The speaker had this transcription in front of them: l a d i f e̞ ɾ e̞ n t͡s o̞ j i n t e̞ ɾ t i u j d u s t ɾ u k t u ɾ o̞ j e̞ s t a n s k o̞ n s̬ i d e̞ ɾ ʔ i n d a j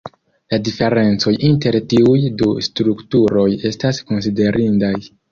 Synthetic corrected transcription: l a d i f e̞ ɾ e̞ n t͡s o̞ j i n t e̞ ɾ t i u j d u s t ɾ u k t u ɾ o̞ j e̞ s t a s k o̞ n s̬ i d e̞ ɾ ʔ i n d a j